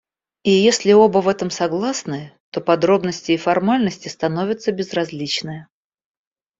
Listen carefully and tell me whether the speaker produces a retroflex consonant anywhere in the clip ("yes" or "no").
no